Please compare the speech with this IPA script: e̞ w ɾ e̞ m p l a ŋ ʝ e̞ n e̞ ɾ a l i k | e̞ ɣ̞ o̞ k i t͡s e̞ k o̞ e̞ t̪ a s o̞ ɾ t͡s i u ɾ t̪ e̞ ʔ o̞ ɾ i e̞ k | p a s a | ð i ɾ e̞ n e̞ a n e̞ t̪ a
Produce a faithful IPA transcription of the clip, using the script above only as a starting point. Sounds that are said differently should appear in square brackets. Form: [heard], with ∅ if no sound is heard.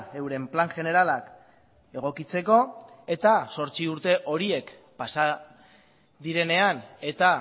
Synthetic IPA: e̞ w ɾ e̞ m p l a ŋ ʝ e̞ n e̞ ɾ a l [a] k | e̞ ɣ̞ o̞ k i t͡s e̞ k o̞ e̞ t̪ a s o̞ ɾ t͡s i u ɾ t̪ e̞ ʔ o̞ ɾ i e̞ k | p a s a | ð i ɾ e̞ n e̞ a n e̞ t̪ a